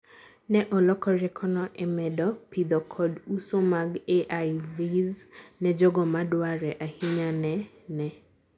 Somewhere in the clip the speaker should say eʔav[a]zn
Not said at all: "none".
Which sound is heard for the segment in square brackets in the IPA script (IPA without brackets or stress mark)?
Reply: i